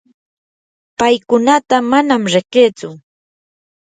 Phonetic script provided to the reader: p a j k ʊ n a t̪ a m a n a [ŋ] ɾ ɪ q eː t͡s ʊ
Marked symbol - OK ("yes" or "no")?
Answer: no